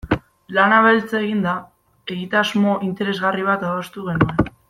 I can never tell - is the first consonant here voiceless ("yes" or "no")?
no